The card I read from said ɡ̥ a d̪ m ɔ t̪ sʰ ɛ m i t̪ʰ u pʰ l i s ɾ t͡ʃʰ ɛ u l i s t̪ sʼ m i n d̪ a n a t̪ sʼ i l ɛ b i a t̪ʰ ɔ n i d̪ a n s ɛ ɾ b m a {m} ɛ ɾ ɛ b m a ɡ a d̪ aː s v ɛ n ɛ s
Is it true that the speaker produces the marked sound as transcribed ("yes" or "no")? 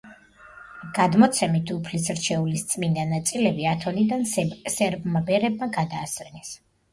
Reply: no